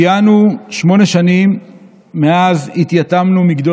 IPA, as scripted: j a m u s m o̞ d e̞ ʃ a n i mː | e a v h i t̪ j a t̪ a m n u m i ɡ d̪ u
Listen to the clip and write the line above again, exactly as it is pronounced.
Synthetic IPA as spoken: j a n u ʃ m o̞ n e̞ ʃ a n i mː | e a z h i t̪ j a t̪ a m n u m i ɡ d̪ o